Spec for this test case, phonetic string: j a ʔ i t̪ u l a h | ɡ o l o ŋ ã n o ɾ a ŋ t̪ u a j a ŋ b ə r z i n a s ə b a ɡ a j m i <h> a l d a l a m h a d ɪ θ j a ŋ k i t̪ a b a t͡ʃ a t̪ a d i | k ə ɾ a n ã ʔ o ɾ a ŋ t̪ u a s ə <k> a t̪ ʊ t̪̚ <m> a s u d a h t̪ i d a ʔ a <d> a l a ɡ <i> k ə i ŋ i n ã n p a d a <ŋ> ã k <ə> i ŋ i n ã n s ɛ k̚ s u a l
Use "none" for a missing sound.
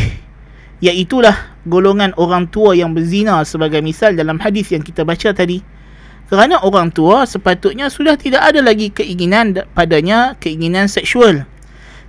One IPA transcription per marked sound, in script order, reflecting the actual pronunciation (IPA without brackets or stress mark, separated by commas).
s, p, ɲ, d, i, ɲ, ə